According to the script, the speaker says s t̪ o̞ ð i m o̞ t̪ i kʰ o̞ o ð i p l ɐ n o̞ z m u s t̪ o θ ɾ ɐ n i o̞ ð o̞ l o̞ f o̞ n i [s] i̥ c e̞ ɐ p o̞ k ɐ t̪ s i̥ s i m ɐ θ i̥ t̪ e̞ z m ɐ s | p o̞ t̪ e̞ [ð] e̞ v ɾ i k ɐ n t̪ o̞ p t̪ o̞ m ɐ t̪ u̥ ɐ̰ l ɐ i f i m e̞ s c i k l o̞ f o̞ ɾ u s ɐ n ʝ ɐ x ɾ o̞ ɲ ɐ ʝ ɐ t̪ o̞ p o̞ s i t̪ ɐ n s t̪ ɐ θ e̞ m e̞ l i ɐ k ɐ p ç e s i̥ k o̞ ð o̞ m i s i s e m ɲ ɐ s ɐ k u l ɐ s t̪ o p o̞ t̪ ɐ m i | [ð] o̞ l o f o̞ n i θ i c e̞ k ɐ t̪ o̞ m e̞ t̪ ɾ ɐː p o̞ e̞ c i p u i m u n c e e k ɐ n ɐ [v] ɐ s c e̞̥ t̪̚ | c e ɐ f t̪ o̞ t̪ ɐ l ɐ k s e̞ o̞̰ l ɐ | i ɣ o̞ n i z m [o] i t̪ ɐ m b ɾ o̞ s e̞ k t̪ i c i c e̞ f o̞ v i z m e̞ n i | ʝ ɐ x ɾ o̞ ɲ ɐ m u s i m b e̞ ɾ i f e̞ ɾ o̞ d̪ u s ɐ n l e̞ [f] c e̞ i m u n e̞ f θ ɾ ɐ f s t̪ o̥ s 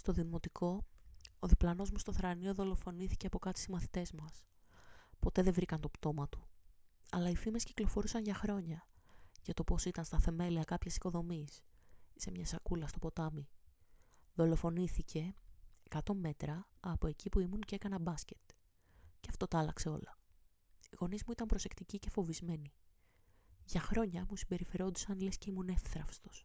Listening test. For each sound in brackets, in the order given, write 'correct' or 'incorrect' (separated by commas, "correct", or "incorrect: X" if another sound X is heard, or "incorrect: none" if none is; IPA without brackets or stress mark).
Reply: incorrect: θ, correct, correct, incorrect: b, incorrect: u, incorrect: s